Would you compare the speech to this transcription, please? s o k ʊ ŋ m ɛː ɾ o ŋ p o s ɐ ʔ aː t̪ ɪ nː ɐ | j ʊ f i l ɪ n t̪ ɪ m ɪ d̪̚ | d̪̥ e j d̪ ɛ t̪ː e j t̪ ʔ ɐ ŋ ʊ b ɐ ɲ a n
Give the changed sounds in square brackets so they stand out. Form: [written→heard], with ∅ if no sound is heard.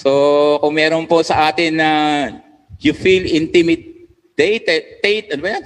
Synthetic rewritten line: s o k ʊ ŋ m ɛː ɾ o [ŋ→n] p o s ɐ ʔ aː t̪ ɪ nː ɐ | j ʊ f i l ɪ n t̪ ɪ m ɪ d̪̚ | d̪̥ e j [d̪→t̪] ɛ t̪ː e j t̪ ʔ ɐ [ŋ→n] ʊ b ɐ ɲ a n